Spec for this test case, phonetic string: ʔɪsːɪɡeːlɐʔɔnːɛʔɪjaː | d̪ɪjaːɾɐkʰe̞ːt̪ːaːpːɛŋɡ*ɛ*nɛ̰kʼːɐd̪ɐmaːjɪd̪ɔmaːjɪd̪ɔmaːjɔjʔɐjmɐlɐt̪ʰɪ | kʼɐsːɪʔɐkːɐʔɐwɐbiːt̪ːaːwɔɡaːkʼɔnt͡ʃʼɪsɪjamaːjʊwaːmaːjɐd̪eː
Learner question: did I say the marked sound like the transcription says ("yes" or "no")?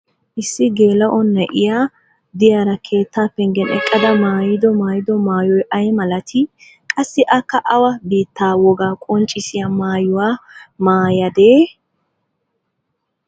yes